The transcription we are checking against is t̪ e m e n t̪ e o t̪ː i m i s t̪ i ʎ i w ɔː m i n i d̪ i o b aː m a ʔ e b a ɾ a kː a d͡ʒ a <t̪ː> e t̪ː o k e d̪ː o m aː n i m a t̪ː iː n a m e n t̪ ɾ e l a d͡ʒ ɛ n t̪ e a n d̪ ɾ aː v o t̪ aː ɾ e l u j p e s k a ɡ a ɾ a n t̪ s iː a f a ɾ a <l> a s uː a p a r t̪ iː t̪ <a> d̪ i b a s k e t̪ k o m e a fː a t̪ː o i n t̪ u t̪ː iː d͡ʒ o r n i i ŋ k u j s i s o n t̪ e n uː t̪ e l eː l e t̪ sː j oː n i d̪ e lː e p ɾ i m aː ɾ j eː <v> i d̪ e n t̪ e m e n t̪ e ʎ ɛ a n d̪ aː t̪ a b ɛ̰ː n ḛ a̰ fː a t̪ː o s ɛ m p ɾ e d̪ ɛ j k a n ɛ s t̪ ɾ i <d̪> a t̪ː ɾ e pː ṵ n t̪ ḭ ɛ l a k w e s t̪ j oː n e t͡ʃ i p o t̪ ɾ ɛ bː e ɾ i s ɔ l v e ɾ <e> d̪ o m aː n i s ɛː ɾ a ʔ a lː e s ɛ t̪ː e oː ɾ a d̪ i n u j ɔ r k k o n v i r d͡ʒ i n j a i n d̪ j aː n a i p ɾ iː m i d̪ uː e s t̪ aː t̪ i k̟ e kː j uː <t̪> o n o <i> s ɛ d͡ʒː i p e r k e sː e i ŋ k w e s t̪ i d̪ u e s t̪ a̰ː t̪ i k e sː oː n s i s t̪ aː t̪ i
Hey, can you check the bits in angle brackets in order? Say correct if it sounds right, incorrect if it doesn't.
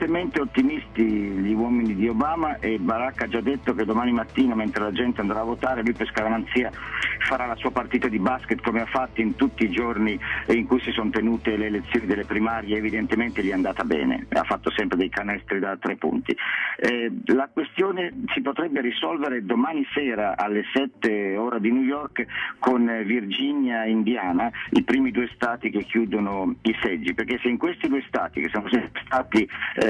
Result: incorrect: d̪ː, correct, correct, correct, correct, correct, incorrect: d̪, correct

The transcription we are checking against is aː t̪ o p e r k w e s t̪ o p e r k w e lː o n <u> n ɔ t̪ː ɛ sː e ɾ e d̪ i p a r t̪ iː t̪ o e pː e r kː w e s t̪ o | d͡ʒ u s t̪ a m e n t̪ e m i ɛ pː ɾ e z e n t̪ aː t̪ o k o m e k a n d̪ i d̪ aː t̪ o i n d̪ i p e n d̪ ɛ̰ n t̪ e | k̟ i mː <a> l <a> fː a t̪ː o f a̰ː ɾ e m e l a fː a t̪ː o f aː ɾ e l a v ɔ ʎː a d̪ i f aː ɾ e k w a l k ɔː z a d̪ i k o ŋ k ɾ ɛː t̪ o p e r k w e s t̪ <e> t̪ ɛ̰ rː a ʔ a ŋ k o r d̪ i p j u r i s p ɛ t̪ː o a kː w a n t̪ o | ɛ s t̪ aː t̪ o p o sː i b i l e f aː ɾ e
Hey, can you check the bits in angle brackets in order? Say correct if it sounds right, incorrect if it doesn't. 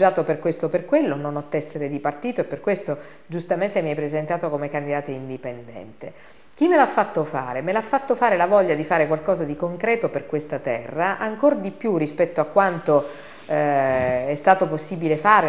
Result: incorrect: o, incorrect: e, correct, incorrect: a

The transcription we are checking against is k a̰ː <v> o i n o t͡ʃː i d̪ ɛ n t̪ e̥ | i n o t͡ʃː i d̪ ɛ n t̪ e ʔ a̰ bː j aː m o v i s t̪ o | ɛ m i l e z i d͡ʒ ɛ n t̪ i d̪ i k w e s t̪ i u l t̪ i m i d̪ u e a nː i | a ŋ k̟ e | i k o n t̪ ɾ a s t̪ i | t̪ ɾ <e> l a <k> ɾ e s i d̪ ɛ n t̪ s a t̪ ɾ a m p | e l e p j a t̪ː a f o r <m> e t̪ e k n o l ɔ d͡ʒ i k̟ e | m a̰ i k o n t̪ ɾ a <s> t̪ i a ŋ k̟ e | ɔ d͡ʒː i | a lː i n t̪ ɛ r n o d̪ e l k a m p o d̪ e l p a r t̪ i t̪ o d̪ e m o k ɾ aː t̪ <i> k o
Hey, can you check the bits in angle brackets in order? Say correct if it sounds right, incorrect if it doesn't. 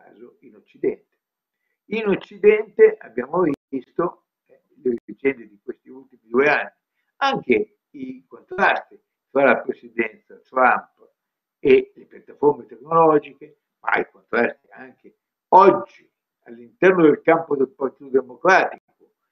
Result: incorrect: z, incorrect: a, incorrect: p, correct, correct, correct

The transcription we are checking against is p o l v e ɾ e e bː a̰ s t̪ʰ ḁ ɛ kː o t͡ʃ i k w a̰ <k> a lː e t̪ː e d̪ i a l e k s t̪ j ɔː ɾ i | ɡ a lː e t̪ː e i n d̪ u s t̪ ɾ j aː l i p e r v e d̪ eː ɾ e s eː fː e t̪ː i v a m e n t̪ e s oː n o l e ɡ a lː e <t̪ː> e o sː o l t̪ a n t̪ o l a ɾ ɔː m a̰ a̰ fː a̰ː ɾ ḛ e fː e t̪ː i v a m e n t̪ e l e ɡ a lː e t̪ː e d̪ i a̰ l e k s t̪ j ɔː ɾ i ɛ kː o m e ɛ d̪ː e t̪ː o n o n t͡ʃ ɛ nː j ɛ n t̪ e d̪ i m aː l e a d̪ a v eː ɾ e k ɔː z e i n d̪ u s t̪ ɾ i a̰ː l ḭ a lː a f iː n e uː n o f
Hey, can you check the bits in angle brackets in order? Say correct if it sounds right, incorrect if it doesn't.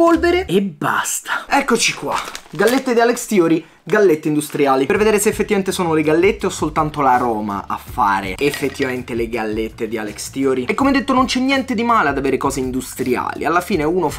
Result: incorrect: ɡ, correct

